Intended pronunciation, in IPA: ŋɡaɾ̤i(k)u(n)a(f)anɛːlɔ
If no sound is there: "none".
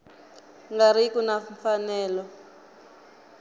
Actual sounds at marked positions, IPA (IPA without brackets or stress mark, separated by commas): k, n, f